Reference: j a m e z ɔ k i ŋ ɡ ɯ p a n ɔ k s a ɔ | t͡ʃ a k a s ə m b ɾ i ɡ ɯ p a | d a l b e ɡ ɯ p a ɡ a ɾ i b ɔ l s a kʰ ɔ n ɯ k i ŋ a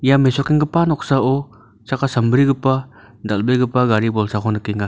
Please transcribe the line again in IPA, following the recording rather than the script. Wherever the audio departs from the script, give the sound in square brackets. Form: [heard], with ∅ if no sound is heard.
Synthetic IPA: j a m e [s] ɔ k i ŋ ɡ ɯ p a n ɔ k s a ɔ | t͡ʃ a k a s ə m b ɾ i ɡ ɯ p a | d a l b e ɡ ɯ p a ɡ a ɾ i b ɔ l s a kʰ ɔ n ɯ k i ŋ a